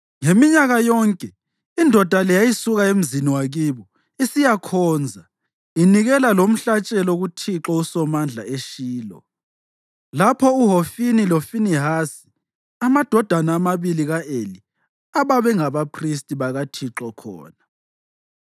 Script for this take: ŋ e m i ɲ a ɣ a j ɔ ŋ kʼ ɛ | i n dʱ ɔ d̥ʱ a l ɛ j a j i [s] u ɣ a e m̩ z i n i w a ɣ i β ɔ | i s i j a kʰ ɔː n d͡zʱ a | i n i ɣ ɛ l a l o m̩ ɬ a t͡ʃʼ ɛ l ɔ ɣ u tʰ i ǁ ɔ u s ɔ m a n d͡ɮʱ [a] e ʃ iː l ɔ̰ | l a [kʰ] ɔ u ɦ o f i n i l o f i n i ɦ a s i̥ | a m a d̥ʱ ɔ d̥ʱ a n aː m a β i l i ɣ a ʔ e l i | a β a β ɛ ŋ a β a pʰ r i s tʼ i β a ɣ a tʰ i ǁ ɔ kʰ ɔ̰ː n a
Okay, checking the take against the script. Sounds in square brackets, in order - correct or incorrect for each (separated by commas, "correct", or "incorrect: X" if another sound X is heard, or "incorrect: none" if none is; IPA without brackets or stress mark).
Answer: correct, correct, incorrect: pʰ